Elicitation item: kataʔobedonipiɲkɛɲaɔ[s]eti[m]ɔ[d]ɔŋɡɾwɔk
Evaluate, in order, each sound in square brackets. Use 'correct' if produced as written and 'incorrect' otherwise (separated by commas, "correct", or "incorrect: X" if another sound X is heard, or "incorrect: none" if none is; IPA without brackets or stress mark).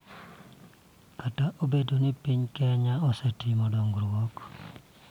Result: correct, correct, correct